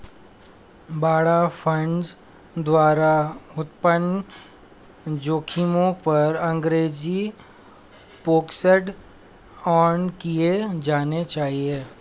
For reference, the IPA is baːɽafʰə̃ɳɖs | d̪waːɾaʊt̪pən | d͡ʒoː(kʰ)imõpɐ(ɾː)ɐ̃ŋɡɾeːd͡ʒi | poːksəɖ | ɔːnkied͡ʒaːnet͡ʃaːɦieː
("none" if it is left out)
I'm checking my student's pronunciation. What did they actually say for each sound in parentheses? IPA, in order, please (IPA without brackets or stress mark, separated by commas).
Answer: kʰ, ɾ